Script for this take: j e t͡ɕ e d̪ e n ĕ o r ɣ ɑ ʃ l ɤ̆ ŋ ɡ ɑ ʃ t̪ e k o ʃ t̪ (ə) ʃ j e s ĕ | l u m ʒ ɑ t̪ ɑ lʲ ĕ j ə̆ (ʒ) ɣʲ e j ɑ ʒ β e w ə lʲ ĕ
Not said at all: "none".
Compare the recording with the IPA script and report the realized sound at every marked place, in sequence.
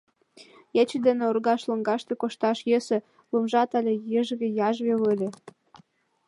ɑ, ʒ

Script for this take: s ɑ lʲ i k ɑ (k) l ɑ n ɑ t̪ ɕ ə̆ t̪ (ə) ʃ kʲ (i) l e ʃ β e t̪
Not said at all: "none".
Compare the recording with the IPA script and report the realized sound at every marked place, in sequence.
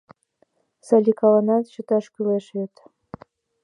none, ɑ, y

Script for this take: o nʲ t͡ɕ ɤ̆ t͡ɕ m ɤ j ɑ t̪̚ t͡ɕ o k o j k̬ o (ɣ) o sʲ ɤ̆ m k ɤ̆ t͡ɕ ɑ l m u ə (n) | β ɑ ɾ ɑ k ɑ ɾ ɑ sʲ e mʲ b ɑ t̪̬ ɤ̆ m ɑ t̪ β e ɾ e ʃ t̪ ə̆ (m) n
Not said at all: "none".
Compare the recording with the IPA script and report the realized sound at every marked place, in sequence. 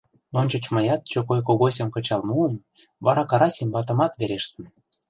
ɣ, m, none

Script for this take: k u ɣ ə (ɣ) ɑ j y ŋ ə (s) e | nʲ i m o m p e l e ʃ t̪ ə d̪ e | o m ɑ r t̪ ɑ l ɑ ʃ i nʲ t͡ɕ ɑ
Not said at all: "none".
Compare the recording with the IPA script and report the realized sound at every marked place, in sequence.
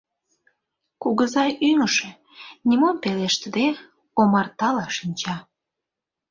z, ʃ

